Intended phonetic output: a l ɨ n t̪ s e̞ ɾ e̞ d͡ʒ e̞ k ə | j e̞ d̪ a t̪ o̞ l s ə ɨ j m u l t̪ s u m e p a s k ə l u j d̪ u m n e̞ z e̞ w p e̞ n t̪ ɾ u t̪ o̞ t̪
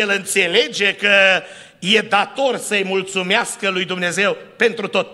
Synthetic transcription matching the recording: e l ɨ n t̪ s e̞ l e̞ d͡ʒ e̞ k ə | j e̞ d̪ a t̪ o̞ r s ə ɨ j m u l t̪ s u m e a s k ə l u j d̪ u m n e̞ z e̞ w p e̞ n t̪ ɾ u t̪ o̞ t̪